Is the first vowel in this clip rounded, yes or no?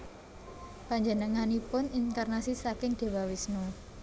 no